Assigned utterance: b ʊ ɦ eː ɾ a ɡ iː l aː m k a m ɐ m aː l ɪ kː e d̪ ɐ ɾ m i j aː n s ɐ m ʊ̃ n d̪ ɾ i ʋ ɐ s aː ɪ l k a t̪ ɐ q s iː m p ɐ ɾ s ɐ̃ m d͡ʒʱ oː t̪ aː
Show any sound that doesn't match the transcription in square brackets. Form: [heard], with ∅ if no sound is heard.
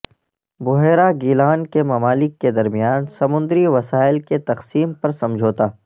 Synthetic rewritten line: b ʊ ɦ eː ɾ a ɡ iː l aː [n] k [e] m ɐ m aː l ɪ kː e d̪ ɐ ɾ m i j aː n s ɐ m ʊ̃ n d̪ ɾ i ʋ ɐ s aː ɪ l k [e] t̪ ɐ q s iː m p ɐ ɾ s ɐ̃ m d͡ʒʱ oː t̪ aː